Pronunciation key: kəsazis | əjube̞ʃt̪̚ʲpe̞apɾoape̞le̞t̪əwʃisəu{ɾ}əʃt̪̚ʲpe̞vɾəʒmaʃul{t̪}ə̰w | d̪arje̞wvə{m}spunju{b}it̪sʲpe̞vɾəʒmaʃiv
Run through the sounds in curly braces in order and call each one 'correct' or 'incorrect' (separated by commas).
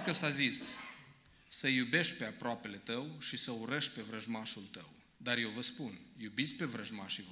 correct, correct, incorrect, correct